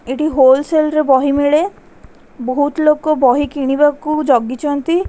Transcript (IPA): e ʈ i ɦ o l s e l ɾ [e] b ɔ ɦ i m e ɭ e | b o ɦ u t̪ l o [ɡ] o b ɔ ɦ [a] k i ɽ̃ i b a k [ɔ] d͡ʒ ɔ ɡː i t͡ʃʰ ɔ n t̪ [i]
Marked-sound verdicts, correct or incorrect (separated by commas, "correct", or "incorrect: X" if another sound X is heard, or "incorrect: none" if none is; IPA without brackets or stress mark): correct, incorrect: k, incorrect: i, incorrect: u, correct